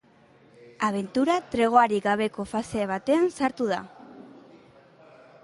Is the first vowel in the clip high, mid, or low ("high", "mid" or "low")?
low